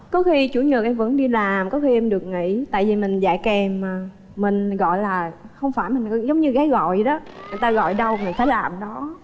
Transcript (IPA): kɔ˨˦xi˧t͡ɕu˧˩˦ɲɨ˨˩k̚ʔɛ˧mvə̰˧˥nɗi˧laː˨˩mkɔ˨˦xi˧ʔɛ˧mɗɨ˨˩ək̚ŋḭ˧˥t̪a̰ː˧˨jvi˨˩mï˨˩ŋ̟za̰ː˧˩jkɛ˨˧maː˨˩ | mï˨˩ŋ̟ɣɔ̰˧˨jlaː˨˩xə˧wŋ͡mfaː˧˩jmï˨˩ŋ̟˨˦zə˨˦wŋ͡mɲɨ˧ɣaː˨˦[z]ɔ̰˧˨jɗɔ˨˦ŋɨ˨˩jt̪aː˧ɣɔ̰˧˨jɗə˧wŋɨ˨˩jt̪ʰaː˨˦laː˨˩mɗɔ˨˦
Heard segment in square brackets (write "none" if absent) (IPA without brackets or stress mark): ɣ